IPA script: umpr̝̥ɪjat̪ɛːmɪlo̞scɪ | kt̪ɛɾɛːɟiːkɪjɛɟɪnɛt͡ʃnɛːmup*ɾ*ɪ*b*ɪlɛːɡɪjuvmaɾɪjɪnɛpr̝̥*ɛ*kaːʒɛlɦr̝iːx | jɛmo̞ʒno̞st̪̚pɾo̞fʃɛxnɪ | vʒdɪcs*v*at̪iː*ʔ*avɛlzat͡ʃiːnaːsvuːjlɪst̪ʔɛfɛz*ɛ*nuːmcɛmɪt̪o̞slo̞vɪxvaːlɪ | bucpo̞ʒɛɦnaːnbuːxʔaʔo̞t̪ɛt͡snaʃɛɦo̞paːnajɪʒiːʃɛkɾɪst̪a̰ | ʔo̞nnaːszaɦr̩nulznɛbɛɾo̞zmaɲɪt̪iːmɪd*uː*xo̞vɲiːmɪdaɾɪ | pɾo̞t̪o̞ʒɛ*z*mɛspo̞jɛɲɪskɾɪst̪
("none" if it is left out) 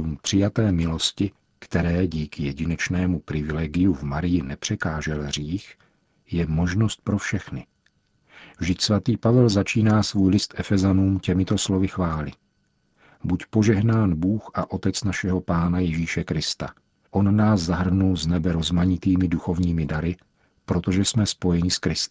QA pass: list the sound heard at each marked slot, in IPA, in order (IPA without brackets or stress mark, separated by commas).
ɾ, v, ɛ, v, p, a, u, s